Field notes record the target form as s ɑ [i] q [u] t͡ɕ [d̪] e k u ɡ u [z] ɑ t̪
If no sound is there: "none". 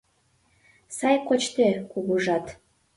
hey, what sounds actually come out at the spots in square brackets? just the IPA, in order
j, o, t̪, ʒ

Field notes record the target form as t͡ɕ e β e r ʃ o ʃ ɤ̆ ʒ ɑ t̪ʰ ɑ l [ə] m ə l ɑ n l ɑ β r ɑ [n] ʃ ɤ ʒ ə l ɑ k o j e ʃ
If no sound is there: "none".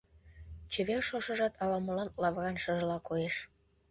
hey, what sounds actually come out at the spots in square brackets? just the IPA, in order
ɑ, n

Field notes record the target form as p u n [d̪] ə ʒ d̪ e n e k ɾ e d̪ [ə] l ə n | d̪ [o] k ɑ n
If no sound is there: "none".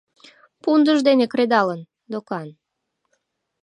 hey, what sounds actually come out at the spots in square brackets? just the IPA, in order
d̪, ɑ, o

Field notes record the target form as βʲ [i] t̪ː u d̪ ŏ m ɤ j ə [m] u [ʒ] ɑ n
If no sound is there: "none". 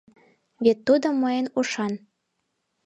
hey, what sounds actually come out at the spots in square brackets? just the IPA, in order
e, n, ʃ

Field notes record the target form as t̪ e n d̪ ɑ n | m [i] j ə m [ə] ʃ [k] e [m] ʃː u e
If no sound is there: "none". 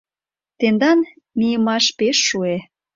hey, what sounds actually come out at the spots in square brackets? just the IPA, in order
i, ɑ, p, none

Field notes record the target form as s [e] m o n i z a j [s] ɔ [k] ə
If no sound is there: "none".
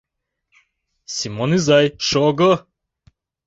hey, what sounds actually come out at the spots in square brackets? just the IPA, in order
i, ʃ, ɡ

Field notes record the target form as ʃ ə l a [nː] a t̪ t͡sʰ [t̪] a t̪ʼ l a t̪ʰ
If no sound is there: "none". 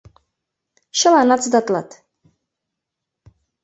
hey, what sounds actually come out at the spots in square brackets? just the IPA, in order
n, d̪

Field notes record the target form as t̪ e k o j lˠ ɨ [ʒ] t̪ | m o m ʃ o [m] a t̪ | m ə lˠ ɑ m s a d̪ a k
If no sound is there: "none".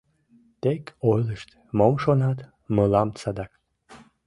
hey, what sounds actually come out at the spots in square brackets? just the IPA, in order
ʃ, n

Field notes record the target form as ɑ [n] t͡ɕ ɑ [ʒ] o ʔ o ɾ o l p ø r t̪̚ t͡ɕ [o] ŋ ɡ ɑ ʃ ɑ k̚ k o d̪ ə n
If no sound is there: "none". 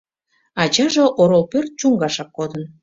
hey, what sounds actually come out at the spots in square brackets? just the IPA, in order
none, ʒ, u

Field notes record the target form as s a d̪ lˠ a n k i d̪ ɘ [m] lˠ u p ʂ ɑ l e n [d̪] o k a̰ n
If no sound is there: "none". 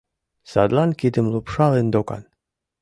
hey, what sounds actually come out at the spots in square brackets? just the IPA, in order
m, d̪

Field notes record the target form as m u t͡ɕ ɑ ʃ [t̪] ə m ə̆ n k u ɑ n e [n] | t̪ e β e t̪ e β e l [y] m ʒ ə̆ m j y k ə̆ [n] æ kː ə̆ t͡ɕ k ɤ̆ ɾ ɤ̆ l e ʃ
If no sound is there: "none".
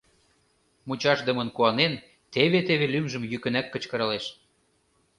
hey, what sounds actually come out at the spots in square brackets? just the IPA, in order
d̪, n, y, n

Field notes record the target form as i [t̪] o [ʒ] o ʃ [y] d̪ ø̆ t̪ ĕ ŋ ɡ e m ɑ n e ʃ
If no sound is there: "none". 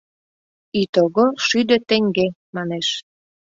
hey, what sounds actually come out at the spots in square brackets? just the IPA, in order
t̪, ɣ, y

